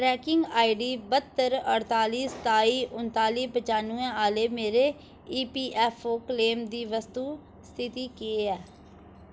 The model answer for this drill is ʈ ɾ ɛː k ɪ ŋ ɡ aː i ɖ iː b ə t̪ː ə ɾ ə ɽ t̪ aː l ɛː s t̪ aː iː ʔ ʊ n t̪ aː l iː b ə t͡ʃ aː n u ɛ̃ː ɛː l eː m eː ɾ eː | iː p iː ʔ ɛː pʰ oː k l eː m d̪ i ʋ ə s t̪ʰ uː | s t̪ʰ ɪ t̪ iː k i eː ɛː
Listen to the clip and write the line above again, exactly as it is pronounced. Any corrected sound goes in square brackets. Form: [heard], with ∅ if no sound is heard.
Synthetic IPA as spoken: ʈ ɾ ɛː k ɪ ŋ ɡ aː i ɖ iː b ə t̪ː ə ɾ ə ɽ t̪ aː l [iː] s t̪ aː iː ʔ ʊ n t̪ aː l iː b ə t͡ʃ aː n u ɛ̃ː [aː] l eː m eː ɾ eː | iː p iː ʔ ɛː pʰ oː k l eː m d̪ [iː] ʋ ə s [t̪] uː | s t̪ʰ ɪ t̪ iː k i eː ɛː

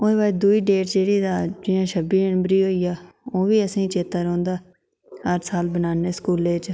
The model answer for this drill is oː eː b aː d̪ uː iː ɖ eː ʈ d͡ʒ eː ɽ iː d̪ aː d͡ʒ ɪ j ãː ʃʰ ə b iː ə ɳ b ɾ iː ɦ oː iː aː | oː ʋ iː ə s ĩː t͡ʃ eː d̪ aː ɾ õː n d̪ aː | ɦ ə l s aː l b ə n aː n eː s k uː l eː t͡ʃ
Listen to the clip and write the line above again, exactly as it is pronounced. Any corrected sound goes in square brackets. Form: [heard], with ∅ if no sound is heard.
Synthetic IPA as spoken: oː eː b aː d̪ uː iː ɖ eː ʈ d͡ʒ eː ɽ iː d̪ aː d͡ʒ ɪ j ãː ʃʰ ə b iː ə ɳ b ɾ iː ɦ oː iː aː | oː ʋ iː ə s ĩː t͡ʃ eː [t̪] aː ɾ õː n d̪ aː | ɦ ə [ɾ] s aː l b ə n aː n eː s k uː l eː t͡ʃ

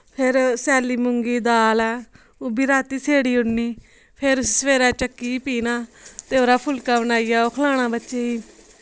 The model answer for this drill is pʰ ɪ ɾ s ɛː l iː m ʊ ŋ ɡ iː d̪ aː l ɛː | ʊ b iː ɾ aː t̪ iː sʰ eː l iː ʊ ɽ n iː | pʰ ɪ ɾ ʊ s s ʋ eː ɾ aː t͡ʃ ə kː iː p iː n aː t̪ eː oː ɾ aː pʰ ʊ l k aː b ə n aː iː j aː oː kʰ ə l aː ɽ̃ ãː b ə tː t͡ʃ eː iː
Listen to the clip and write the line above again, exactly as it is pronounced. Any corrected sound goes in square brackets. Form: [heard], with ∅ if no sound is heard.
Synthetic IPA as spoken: pʰ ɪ ɾ s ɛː l iː m ʊ ŋ ɡ iː d̪ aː l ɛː | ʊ b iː ɾ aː t̪ iː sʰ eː [ɽ] iː ʊ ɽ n iː | pʰ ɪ ɾ ʊ s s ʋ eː ɾ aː t͡ʃ ə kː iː p iː n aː t̪ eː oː ɾ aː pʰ ʊ l k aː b ə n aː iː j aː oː kʰ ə l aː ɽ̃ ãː b ə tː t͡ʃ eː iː

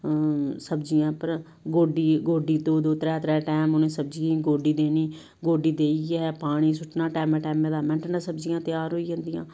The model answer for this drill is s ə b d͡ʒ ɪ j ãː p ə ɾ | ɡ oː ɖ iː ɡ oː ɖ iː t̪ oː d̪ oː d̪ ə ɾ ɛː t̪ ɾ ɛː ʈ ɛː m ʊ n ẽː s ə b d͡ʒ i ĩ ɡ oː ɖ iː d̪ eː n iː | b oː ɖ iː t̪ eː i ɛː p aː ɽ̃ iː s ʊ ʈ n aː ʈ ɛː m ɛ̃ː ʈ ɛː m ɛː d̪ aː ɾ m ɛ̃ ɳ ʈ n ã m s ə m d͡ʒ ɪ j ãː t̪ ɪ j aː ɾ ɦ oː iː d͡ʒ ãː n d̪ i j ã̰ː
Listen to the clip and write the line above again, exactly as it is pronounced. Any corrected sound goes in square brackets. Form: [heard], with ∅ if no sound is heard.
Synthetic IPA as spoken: s ə b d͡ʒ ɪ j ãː p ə ɾ | ɡ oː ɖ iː ɡ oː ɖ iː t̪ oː d̪ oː [t̪] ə ɾ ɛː t̪ ɾ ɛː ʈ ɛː m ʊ n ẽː s ə b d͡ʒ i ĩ ɡ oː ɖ iː d̪ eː n iː | [ɡ] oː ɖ iː [d̪] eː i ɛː p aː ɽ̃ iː s ʊ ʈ n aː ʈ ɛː m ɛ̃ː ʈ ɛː m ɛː d̪ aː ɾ m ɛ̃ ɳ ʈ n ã [∅] s ə [b] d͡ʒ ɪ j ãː t̪ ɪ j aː ɾ ɦ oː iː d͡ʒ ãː n d̪ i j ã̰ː

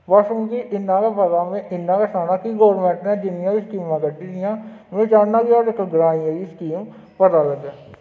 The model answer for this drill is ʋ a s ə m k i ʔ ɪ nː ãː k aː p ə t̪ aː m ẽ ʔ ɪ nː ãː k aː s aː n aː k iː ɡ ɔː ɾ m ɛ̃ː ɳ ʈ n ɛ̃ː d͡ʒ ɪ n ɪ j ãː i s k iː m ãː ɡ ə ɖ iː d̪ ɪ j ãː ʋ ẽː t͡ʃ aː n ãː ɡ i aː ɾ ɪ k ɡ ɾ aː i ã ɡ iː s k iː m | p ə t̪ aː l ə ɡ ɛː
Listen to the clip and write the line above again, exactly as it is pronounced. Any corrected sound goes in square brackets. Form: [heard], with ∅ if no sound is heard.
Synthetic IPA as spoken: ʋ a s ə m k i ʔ ɪ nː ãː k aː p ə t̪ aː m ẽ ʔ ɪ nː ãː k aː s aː n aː k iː ɡ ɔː ɾ m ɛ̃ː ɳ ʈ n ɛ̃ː d͡ʒ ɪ n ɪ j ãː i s k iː m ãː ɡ ə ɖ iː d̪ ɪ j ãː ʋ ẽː t͡ʃ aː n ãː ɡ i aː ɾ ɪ k ɡ ɾ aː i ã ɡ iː s k iː m | p ə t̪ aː l ə ɡ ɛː

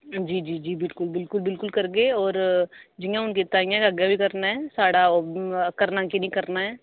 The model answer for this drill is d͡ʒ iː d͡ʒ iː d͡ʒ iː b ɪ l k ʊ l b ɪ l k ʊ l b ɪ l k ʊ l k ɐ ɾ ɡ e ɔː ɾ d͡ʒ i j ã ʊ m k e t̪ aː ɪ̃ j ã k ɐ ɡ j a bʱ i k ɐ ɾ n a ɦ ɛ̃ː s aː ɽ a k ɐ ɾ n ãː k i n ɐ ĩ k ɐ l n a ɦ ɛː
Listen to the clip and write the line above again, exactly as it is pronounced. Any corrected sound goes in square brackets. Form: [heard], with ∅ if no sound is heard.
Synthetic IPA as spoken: d͡ʒ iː d͡ʒ iː d͡ʒ iː b ɪ l k ʊ l b ɪ l k ʊ l b ɪ l k ʊ l k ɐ ɾ ɡ e ɔː ɾ d͡ʒ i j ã ʊ [n] k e t̪ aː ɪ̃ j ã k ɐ ɡ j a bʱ i k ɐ ɾ n a ɦ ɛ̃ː s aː ɽ a k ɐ ɾ n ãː k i n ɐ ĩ k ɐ [ɾ] n a ɦ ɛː

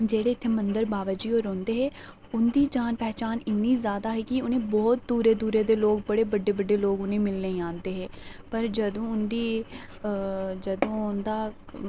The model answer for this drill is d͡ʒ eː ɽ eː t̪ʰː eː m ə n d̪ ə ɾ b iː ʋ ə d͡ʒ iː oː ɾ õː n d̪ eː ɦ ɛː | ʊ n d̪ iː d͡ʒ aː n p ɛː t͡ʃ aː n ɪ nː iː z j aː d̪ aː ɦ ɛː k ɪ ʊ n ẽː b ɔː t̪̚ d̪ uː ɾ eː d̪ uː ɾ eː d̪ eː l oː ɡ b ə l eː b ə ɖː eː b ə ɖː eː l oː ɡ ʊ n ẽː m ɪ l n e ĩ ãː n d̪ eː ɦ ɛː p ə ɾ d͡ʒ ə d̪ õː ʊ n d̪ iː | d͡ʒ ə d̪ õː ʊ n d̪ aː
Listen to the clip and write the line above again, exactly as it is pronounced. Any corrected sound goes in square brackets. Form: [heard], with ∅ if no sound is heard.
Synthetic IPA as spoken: d͡ʒ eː ɽ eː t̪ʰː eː m ə n d̪ ə ɾ b [aː] ʋ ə d͡ʒ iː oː ɾ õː n d̪ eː ɦ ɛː | ʊ n d̪ iː d͡ʒ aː n p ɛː t͡ʃ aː n ɪ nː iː z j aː d̪ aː ɦ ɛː k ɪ ʊ n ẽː b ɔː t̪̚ d̪ uː ɾ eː d̪ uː ɾ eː d̪ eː l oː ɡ b ə [ɽ] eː b ə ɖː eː b ə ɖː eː l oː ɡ ʊ n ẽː m ɪ l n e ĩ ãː n d̪ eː ɦ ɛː p ə ɾ d͡ʒ ə d̪ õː ʊ n d̪ iː | d͡ʒ ə d̪ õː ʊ n d̪ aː

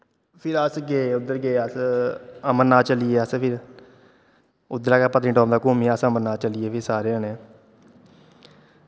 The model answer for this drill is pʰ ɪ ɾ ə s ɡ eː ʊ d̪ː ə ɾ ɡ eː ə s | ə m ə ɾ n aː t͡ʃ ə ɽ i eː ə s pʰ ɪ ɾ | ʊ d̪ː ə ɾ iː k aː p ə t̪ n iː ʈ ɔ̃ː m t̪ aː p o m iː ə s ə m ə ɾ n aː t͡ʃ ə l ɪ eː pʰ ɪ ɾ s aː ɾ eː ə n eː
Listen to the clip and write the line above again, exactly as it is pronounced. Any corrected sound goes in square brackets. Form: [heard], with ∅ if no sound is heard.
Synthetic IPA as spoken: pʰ ɪ ɾ ə s ɡ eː ʊ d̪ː ə ɾ ɡ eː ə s | ə m ə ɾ n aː t͡ʃ ə [l] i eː ə s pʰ ɪ ɾ | ʊ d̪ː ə ɾ [aː] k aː p ə t̪ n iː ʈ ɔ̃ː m [d̪] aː [k] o m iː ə s ə m ə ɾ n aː t͡ʃ ə l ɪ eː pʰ ɪ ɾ s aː ɾ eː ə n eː

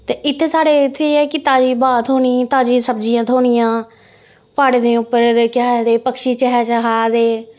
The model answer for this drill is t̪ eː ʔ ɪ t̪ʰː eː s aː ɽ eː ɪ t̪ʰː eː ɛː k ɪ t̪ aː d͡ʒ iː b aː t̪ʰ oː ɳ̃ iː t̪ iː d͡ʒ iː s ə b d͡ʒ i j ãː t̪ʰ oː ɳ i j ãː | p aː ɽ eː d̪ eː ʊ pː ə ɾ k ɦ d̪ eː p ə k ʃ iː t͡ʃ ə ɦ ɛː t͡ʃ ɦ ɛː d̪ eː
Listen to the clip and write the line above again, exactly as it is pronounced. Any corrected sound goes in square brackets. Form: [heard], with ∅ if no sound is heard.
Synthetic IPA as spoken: t̪ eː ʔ ɪ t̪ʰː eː s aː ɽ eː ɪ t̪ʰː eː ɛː k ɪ t̪ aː d͡ʒ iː b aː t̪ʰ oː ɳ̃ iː t̪ [aː] d͡ʒ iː s ə b d͡ʒ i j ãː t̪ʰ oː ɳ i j ãː | p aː ɽ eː d̪ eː ʊ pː ə ɾ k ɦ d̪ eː p ə k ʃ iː t͡ʃ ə ɦ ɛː t͡ʃ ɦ [aː] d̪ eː

